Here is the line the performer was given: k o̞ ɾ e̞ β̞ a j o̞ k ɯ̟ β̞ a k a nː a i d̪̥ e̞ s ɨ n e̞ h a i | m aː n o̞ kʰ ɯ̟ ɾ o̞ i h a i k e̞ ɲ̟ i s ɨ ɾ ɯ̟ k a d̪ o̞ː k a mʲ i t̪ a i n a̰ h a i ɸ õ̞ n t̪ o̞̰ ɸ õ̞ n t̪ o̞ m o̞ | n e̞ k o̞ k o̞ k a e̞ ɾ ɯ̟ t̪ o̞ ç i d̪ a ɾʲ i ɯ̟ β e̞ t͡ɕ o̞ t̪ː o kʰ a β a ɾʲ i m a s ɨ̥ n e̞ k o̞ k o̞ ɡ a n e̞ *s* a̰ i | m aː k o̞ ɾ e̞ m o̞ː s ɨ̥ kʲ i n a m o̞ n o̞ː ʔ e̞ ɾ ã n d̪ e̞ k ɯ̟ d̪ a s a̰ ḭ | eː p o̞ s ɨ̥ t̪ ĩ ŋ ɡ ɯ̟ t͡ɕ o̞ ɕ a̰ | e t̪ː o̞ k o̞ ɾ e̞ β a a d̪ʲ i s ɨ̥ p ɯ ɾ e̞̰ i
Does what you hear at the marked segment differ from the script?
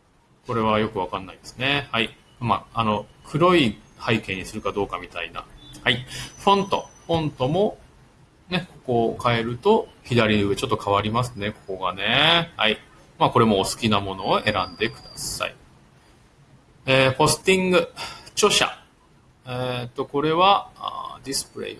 yes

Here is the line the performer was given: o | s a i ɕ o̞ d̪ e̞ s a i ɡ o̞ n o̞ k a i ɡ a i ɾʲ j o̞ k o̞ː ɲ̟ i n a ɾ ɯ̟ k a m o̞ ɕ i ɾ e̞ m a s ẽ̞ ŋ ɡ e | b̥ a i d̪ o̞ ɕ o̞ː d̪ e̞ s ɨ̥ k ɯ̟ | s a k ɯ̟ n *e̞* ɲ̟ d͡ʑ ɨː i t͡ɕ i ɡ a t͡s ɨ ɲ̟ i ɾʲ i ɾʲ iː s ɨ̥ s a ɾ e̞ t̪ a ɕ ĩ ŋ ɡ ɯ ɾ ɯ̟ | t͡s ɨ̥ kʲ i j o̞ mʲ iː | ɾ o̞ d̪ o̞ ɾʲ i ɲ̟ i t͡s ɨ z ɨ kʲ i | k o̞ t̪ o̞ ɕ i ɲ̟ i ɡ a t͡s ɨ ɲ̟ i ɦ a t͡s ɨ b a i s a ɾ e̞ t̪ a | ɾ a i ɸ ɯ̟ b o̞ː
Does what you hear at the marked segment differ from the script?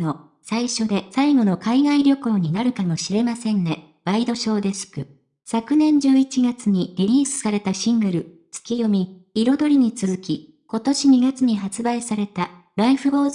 yes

